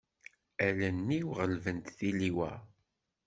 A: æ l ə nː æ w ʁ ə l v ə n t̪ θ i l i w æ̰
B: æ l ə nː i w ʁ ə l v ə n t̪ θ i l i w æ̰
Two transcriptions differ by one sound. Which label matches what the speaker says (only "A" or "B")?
B